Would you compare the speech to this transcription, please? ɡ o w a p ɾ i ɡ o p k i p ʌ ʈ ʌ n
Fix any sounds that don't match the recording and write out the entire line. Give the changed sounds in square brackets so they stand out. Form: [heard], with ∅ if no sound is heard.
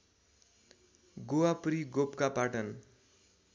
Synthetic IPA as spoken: ɡ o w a p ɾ i ɡ o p k [a] p [a] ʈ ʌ n